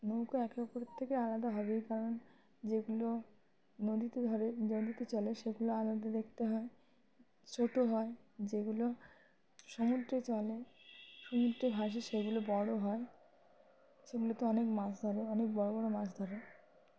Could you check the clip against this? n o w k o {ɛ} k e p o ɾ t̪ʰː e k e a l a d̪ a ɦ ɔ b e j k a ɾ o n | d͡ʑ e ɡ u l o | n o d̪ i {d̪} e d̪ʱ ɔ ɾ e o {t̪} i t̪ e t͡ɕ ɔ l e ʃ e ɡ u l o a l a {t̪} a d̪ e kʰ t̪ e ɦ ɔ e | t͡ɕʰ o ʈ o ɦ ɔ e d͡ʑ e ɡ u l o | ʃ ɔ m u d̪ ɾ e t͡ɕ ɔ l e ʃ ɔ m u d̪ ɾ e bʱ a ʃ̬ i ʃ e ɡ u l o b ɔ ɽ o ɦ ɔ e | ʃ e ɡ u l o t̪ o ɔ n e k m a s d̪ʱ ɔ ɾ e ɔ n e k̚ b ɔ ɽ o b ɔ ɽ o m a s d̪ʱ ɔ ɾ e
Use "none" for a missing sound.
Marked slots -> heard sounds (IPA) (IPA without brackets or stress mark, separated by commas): ɛ, t̪, d̪, d̪